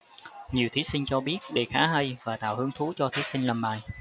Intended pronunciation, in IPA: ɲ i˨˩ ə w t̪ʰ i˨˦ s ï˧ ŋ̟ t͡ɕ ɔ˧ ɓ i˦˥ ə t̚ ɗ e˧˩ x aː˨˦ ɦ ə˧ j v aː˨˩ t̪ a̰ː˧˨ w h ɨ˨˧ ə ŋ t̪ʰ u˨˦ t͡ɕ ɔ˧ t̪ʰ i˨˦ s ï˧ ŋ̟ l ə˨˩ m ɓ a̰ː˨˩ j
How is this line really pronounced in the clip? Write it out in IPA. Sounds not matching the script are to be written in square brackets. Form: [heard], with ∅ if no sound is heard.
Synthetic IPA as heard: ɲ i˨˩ ə w t̪ʰ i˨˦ s ï˧ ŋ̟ t͡ɕ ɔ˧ ɓ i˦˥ ə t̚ ɗ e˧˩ x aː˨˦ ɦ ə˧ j v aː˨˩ t̪ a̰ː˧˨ w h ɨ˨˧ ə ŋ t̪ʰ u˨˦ t͡ɕ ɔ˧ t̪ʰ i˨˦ s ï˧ ŋ̟ l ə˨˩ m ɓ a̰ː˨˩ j